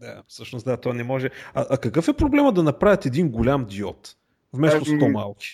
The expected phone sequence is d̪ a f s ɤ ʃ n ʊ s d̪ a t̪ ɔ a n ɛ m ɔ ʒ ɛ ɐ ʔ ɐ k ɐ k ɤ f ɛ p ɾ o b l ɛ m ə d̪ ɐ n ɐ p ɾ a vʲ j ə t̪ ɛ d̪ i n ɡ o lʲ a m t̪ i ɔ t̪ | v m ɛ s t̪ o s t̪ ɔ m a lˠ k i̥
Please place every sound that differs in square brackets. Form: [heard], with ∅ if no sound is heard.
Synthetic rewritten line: d̪ a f s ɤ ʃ n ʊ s d̪ a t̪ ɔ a n ɛ m ɔ ʒ ɛ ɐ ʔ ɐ k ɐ k ɤ f ɛ p ɾ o b l ɛ m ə d̪ ɐ n ɐ p ɾ a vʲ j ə t̪ ɛ d̪ i n ɡ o lʲ a m [d̪] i ɔ t̪ | v m ɛ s t̪ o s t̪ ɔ m a lˠ k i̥